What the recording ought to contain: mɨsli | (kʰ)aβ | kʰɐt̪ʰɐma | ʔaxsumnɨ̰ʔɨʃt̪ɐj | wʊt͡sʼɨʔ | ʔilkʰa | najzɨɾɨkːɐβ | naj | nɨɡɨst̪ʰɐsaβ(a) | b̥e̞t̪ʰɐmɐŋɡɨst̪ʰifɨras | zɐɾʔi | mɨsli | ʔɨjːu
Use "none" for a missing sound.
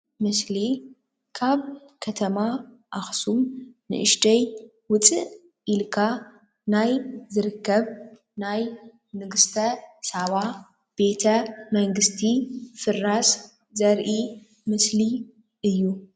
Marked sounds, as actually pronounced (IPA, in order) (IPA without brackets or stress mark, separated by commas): kʰ, a